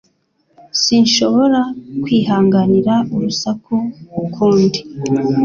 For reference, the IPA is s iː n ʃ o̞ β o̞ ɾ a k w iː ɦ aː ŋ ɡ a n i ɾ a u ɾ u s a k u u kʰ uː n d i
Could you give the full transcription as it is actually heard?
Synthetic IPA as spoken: s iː n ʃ o̞ β o̞ ɾ a k w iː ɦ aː ŋ ɡ a n i ɾ a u ɾ u s a k u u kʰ uː n d i